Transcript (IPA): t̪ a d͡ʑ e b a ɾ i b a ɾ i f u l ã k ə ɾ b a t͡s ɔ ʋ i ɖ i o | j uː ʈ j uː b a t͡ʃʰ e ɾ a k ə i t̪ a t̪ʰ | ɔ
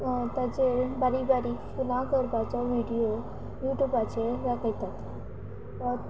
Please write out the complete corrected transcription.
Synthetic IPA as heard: t̪ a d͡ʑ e b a ɾ i b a ɾ i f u l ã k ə ɾ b a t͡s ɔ ʋ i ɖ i o | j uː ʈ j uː b a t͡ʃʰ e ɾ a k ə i t̪ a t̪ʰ | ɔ